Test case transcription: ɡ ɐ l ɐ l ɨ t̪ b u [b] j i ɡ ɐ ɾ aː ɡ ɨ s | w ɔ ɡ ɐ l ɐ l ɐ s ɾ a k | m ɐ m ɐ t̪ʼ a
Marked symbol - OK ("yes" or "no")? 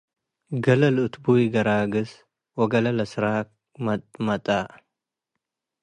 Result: no